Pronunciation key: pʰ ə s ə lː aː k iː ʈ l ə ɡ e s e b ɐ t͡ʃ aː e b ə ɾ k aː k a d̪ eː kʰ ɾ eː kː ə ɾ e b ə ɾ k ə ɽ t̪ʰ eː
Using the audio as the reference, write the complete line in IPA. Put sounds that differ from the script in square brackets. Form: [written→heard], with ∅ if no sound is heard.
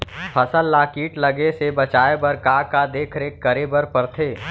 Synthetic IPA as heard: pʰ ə s ə lː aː k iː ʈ l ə ɡ e s e b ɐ t͡ʃ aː e b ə ɾ k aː k a d̪ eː kʰ ɾ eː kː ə ɾ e b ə ɾ [k→p] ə [ɽ→ɾ] t̪ʰ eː